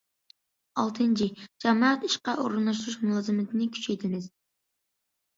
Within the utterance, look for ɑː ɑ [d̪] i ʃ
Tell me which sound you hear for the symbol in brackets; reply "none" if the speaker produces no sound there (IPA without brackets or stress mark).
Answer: t̪